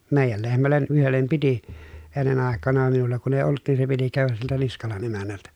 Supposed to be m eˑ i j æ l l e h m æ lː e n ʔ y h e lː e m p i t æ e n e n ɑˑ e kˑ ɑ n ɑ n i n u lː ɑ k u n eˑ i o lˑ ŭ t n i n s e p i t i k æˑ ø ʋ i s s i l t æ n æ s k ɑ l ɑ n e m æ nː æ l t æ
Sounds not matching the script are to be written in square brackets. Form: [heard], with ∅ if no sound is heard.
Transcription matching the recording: m eˑ i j æ l l e h m æ lː e n ʔ y h e lː e m p i t [i] e [nː] e n ɑˑ e kˑ ɑ n ɑ [m] i n u lː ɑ k u n eˑ i o lˑ ŭ t n i n s e p i t i k æˑ ø ʋ [æ] s s i l t æ n [i] s k ɑ l ɑ n e m æ nː æ l t æ